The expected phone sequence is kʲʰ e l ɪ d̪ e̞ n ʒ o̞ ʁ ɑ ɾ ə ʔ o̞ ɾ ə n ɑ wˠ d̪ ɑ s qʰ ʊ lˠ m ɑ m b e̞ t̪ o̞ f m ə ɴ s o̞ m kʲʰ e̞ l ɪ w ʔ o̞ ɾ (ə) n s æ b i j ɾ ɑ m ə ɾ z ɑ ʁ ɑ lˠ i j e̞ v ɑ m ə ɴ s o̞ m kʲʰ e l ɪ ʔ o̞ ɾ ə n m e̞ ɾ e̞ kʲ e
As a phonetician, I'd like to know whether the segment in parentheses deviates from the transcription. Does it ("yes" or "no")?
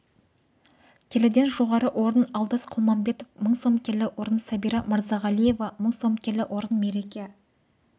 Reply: no